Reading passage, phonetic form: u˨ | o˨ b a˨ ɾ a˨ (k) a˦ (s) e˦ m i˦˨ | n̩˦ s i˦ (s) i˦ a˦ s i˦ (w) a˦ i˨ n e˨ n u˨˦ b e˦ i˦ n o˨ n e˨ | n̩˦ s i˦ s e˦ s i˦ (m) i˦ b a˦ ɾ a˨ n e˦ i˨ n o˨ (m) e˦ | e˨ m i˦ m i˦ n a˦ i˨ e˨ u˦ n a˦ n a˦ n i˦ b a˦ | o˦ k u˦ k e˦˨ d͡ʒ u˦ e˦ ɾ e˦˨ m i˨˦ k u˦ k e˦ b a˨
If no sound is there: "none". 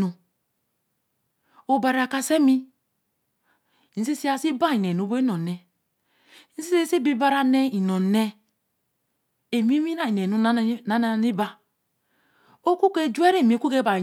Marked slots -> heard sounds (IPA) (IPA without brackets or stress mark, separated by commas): k, s, s, b, b, n